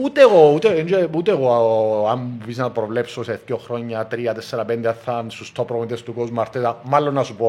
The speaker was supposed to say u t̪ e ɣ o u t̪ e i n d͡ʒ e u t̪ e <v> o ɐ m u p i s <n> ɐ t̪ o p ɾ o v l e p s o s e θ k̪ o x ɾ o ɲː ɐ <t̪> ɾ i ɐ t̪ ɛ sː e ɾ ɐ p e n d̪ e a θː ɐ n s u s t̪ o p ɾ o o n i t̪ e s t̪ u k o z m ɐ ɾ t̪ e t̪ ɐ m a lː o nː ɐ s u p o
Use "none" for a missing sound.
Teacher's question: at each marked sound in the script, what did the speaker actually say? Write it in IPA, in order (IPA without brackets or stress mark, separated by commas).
ɣ, n, t̪